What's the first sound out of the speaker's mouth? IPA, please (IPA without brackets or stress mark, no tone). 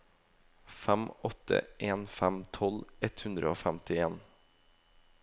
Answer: f